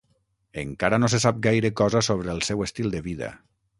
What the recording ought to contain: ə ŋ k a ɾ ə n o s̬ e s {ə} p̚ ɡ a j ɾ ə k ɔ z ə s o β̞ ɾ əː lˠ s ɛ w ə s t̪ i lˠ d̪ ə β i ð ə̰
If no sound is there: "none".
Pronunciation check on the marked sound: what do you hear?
a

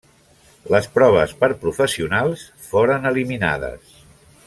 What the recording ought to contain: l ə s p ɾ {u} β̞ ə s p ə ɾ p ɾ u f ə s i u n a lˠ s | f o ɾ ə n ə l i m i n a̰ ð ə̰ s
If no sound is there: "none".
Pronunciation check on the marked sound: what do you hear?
ɔ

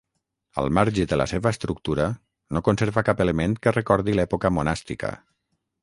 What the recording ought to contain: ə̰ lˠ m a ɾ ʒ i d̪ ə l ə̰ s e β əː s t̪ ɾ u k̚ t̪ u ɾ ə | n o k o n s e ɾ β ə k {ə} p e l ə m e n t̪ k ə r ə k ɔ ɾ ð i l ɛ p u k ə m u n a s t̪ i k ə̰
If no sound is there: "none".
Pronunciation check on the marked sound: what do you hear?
a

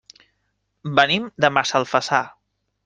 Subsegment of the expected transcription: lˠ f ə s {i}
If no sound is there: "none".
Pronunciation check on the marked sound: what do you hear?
a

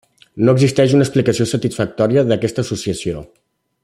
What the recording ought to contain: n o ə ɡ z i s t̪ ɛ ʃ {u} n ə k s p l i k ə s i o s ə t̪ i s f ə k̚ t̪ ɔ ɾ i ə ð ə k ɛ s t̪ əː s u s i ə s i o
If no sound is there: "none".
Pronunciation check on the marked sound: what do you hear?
u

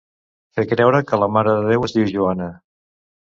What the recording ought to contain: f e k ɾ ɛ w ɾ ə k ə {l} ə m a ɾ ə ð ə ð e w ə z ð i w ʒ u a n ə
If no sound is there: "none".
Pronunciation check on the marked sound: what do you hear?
l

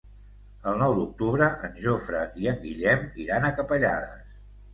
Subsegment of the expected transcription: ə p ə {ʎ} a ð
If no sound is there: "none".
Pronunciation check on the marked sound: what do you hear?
ʎ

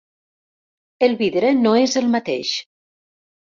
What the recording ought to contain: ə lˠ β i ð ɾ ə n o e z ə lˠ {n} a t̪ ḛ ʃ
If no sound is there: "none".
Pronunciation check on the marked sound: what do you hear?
m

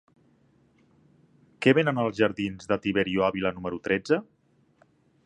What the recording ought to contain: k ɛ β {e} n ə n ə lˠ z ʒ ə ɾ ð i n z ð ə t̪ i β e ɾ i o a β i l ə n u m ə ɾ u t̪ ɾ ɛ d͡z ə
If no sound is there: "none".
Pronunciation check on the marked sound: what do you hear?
e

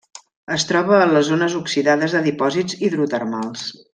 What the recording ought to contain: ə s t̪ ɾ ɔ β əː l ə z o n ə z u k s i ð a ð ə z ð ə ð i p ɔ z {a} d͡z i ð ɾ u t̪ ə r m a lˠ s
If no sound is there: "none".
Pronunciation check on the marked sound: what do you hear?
i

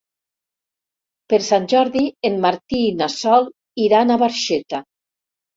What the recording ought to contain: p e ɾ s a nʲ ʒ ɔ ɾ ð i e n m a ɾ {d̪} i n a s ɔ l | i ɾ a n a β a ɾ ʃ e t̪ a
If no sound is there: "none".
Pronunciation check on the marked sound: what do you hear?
t̪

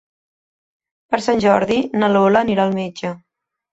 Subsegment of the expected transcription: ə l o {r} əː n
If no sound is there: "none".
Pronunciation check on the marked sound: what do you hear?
l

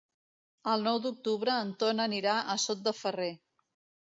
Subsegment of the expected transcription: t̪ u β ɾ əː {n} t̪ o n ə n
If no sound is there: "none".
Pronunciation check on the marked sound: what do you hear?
n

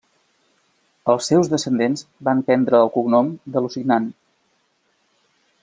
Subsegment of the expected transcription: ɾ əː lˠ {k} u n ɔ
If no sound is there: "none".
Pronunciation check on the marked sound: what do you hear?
k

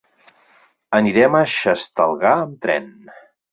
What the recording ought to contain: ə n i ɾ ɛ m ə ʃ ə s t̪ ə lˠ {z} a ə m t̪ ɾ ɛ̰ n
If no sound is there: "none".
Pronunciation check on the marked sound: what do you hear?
ɣ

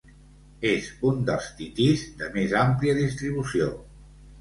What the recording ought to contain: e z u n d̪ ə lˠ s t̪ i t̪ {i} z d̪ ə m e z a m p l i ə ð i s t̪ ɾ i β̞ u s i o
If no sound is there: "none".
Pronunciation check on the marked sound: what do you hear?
i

